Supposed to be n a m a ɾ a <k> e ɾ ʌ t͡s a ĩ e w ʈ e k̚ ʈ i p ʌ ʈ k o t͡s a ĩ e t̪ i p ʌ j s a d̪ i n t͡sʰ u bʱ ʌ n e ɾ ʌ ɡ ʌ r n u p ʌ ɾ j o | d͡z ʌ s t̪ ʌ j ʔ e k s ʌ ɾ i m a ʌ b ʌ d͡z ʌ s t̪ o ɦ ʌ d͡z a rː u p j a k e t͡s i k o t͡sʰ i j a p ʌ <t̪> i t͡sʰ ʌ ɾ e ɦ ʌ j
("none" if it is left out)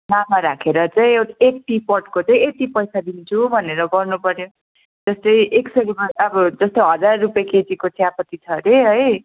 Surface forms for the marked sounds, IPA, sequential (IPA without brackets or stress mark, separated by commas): kʰ, t̪